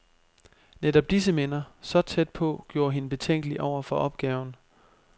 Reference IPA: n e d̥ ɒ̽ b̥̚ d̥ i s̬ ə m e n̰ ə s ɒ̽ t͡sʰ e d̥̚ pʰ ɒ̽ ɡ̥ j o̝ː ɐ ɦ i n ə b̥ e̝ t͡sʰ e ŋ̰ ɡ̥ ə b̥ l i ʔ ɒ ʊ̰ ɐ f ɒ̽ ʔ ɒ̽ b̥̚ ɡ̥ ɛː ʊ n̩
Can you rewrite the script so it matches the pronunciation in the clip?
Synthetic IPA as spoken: n e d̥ ɒ̽ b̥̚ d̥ i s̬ ə m e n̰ ɐ s ɒ̽ t͡sʰ e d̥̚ pʰ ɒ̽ ɡ̥ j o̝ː ɐ ɦ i n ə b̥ e̝ t͡sʰ e ŋ̰ ɡ̥ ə l i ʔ ɒ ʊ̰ ɐ f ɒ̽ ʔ ɒ̽ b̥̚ ɡ̥ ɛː ʊ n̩